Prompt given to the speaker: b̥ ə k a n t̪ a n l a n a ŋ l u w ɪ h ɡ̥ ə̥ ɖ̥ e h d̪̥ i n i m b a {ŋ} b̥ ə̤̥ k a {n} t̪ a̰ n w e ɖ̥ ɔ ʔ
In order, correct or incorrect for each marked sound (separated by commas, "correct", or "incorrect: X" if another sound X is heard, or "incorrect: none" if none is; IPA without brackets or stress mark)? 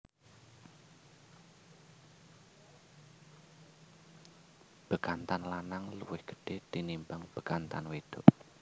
correct, correct